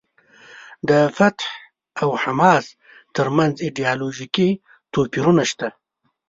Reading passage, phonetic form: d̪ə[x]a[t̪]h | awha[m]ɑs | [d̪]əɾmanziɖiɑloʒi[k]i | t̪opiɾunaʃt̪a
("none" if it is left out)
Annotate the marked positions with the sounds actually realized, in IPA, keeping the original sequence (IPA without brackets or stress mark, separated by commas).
f, t̪, m, t̪, k